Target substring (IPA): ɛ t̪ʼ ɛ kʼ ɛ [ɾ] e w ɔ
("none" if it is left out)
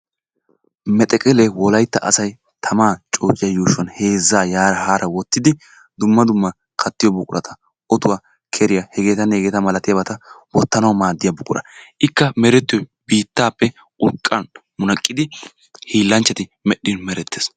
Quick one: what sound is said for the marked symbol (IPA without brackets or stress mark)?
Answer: l